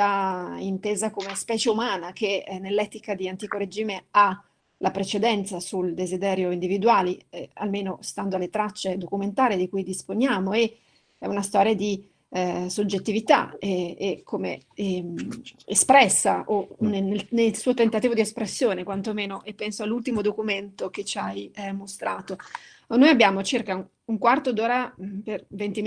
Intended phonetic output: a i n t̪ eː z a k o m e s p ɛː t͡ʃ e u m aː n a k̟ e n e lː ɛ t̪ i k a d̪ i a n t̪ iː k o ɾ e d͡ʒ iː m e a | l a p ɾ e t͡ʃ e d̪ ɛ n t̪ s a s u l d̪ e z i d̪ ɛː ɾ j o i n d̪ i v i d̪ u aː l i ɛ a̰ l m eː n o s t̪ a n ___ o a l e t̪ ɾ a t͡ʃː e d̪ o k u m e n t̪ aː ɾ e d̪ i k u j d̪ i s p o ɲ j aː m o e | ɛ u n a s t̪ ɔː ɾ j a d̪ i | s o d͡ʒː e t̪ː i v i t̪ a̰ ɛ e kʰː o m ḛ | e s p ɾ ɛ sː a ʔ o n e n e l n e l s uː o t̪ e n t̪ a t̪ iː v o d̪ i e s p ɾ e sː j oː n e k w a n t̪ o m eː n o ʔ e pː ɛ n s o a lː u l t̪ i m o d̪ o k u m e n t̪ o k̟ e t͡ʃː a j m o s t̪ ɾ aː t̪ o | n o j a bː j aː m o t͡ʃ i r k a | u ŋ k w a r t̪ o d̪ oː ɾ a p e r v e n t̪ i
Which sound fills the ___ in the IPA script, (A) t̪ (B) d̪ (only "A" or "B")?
B